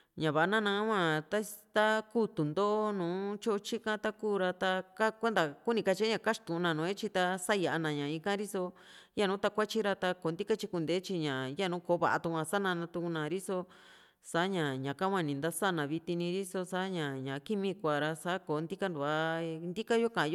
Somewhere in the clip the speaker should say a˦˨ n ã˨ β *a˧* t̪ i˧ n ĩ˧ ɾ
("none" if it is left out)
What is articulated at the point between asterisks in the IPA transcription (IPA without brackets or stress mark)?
i˧